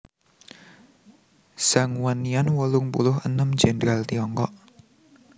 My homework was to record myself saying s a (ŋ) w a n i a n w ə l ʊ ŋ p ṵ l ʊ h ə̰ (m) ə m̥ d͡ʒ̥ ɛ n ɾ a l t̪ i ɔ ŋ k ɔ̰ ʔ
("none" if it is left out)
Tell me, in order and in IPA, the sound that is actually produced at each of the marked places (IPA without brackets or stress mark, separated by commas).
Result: ŋ, n